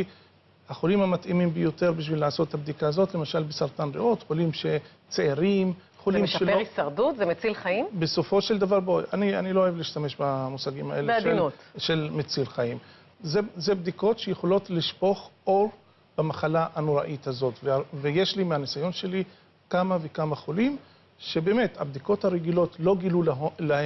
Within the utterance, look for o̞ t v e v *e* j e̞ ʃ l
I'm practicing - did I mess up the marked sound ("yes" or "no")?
no